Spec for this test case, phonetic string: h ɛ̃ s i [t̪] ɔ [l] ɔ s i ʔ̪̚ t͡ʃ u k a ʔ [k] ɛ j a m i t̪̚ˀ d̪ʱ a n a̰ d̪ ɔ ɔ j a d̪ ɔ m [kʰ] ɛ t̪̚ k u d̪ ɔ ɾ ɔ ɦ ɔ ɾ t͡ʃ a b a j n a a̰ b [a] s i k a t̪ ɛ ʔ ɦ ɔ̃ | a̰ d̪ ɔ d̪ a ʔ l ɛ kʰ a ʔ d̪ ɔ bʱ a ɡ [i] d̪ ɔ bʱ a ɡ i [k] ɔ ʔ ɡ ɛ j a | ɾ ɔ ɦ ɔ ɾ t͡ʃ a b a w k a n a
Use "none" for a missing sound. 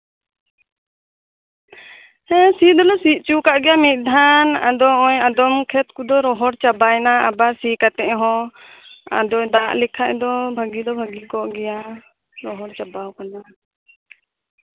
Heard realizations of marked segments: d̪, l, ɡ, kʰ, a, i, k

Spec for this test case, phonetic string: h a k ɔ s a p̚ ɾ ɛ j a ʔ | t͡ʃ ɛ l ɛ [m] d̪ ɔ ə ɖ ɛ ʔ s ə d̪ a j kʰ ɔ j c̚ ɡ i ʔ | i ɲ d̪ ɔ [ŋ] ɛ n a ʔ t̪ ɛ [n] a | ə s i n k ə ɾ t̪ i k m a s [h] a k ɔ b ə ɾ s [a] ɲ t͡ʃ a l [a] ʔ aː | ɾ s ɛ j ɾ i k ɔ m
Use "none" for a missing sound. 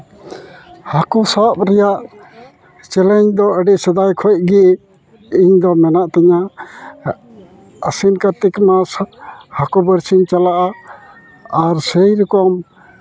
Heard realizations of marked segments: ɲ, m, ɲ, h, i, a

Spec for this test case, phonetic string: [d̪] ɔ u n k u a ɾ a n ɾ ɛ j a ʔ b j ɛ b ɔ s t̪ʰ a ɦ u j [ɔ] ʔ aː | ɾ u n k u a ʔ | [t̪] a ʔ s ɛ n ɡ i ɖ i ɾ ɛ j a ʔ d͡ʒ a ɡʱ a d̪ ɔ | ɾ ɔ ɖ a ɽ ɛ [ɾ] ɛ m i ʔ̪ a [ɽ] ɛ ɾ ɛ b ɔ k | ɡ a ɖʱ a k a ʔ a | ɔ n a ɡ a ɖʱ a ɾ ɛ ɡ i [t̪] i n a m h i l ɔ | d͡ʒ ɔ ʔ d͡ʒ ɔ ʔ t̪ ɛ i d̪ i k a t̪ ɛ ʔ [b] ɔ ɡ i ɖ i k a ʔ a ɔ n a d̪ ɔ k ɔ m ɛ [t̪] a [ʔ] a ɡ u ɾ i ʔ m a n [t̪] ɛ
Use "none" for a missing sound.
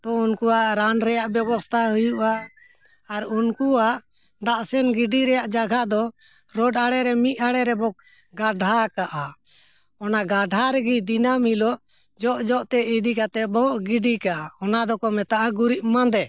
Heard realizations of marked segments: t̪, u, d̪, ɾ, ɽ, d̪, b, t̪, ʔ, d̪

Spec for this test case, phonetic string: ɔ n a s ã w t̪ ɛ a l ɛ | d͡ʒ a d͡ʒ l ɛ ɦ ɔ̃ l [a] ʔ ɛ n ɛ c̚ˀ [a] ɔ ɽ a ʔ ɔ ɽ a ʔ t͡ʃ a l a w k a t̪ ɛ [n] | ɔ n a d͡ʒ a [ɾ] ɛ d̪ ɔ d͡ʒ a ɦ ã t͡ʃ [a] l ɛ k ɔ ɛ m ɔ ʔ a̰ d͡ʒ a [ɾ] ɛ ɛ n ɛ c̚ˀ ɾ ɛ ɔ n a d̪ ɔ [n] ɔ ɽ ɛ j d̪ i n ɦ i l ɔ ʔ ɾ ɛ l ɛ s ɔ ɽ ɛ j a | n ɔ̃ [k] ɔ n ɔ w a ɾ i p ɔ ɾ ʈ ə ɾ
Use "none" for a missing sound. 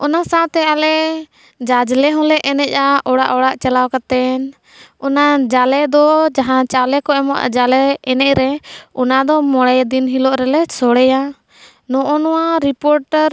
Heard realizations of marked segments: ɛ, a, n, l, a, l, m, ʔ

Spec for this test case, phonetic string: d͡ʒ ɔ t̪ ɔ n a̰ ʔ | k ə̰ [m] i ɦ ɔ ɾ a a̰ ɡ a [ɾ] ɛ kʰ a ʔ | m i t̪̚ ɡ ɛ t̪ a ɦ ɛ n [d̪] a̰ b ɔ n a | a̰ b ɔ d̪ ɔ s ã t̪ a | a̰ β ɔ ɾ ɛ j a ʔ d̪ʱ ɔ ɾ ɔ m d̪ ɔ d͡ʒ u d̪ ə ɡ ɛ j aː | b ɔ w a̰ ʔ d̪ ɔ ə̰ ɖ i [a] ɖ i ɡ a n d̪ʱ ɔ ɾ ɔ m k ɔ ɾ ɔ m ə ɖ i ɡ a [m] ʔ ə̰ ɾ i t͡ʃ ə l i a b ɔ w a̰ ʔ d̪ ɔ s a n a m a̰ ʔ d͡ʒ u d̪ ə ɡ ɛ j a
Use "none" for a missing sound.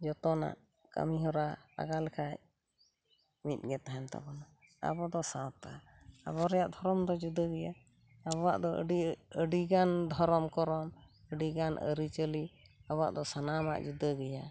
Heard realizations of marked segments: m, l, t̪, ə, n

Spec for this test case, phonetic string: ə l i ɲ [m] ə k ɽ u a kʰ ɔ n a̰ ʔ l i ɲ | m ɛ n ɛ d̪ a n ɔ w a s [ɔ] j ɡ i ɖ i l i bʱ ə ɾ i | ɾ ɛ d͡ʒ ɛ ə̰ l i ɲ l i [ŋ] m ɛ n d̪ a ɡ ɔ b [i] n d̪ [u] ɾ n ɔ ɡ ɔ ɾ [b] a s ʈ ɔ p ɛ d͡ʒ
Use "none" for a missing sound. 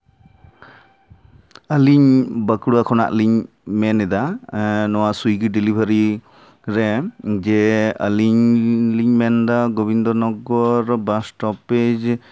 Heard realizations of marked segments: b, u, ɲ, i, ɔ, b

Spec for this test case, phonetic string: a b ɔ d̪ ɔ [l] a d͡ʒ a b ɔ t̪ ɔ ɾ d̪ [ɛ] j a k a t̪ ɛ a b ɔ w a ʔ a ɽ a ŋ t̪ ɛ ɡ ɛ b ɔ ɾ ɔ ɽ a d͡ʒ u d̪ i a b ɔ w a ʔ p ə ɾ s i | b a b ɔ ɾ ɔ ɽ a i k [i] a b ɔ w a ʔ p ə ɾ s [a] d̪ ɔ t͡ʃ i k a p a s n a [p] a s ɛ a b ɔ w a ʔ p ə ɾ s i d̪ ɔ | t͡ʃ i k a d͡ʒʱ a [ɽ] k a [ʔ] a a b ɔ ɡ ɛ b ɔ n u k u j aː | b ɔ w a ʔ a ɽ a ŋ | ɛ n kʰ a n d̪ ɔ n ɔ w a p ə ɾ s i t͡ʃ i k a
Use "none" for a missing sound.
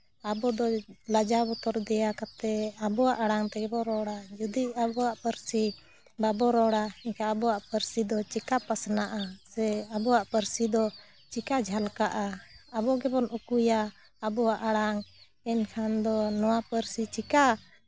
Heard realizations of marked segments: l, ɛ, a, i, ʔ, l, ʔ

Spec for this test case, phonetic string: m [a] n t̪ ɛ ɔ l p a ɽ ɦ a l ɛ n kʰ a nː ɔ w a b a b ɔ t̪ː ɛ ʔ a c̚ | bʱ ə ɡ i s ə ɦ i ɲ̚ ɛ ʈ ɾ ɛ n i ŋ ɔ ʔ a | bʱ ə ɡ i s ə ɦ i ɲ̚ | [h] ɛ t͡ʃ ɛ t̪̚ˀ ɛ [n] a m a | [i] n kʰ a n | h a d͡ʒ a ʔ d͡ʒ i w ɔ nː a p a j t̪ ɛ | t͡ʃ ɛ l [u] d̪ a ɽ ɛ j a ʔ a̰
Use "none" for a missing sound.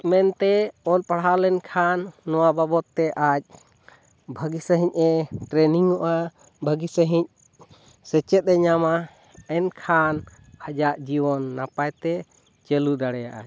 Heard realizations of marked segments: ɛ, s, ɲ, ɛ, u

